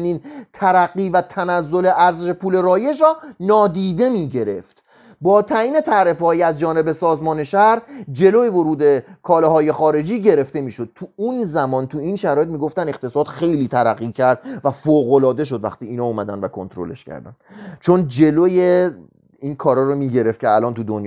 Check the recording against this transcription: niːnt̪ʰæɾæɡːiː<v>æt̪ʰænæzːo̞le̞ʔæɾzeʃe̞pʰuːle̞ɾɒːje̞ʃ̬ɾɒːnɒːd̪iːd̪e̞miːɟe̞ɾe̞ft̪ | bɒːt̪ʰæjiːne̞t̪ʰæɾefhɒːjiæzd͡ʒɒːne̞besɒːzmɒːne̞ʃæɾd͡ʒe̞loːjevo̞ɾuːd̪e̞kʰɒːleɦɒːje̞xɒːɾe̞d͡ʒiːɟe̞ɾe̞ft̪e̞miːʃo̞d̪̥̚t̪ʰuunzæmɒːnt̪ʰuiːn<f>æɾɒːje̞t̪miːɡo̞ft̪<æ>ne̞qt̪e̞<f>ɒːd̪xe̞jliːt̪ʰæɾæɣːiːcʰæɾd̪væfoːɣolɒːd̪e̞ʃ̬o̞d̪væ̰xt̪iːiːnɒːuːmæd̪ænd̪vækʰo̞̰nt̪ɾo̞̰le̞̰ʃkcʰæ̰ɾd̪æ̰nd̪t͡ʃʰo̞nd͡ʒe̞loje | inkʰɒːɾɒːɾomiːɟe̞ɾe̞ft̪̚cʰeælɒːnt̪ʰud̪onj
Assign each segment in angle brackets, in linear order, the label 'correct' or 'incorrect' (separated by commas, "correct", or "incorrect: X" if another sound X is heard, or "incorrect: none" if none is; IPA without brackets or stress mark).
correct, incorrect: ʃ, correct, incorrect: s